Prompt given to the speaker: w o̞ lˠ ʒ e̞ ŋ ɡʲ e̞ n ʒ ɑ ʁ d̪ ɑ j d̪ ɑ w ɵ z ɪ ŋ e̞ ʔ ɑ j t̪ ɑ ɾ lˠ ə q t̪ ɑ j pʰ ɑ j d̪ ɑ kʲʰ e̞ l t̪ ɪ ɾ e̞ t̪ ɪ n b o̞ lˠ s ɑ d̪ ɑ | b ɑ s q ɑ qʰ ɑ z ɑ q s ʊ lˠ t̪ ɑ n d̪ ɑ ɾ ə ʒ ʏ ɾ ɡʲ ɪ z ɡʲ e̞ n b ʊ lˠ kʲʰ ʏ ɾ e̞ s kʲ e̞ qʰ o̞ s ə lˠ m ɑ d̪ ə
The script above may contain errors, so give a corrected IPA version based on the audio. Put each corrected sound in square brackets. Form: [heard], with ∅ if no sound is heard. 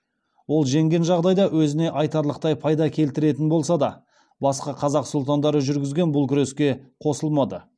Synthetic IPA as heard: w o̞ lˠ ʒ e̞ ŋ ɡʲ e̞ n ʒ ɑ ʁ d̪ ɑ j d̪ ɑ w ɵ z ɪ [n] e̞ ʔ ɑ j t̪ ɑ ɾ lˠ ə q t̪ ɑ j pʰ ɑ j d̪ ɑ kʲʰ e̞ l t̪ ɪ ɾ e̞ t̪ ɪ n b o̞ lˠ s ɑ d̪ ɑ | b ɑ s q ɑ qʰ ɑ z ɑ q s ʊ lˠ t̪ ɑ n d̪ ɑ ɾ ə ʒ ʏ ɾ ɡʲ ɪ z ɡʲ e̞ n b ʊ lˠ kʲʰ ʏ ɾ e̞ s kʲ e̞ qʰ o̞ s ə lˠ m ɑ d̪ ə